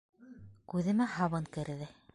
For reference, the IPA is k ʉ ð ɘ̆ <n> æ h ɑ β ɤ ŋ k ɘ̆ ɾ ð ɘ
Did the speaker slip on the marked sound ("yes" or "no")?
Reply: yes